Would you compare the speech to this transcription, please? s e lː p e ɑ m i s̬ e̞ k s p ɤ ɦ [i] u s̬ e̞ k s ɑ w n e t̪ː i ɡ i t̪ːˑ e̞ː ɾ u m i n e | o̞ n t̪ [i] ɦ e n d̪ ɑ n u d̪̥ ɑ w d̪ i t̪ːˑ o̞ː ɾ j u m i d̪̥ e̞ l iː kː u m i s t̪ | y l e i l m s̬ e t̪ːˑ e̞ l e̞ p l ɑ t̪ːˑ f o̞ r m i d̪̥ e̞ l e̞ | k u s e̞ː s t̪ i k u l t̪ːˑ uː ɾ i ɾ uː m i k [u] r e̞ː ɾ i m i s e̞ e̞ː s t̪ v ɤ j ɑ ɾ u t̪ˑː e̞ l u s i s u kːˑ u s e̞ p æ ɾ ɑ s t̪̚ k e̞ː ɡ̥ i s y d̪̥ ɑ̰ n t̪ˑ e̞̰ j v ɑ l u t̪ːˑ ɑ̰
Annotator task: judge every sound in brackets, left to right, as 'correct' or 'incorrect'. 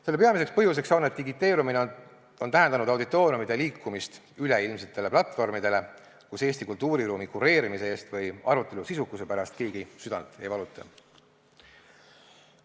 incorrect, incorrect, correct

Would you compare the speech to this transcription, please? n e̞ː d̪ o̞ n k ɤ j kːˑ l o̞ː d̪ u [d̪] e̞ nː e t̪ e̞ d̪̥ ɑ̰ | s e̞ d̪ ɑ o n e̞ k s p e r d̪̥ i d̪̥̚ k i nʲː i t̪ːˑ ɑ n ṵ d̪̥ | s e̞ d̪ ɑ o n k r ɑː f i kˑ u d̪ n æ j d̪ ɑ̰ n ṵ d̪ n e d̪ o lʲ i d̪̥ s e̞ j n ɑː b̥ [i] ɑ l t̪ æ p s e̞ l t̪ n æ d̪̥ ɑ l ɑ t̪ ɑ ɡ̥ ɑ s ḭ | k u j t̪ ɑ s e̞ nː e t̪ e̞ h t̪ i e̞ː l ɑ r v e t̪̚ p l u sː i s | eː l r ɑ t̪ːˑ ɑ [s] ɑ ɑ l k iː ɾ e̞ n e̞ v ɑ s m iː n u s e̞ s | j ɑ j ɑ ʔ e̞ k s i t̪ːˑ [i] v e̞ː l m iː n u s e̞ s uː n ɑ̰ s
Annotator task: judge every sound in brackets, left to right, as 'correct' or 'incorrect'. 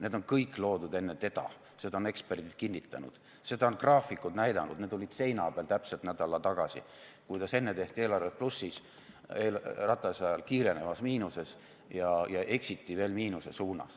correct, incorrect, correct, correct

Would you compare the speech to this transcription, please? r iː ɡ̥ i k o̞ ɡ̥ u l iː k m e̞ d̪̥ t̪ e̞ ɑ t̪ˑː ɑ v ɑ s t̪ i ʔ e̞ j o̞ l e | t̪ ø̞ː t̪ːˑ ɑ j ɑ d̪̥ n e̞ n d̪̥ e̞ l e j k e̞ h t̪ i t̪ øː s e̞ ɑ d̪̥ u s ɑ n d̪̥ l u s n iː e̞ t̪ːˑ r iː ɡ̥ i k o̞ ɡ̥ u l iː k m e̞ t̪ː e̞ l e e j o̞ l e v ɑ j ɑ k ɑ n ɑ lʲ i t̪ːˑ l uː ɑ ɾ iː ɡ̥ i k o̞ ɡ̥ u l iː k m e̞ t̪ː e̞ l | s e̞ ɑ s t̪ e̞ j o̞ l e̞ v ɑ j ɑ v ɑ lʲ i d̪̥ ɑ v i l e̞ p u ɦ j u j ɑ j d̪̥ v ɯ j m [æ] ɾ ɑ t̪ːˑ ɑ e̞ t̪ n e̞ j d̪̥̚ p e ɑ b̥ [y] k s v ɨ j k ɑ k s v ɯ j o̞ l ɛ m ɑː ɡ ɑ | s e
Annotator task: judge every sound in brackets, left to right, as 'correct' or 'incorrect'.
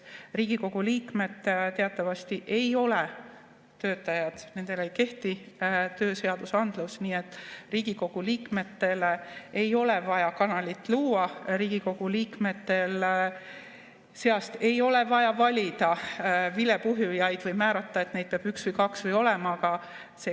incorrect, correct

